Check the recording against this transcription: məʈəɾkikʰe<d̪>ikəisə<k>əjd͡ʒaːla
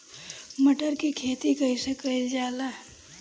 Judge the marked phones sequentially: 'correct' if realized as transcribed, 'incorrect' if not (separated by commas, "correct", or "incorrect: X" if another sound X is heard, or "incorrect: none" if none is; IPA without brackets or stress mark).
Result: incorrect: t̪, correct